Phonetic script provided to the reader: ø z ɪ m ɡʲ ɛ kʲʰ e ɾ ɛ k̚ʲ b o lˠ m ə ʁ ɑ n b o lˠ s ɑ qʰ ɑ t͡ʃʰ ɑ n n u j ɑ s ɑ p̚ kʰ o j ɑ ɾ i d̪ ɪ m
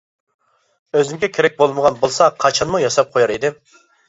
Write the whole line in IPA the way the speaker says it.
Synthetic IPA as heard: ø z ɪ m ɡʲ ɛ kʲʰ e ɾ ɛ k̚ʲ b o lˠ m ə ʁ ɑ n b o lˠ s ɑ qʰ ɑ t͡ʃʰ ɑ n m u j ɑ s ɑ p̚ qʰ o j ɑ ɾ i d̪ ɪ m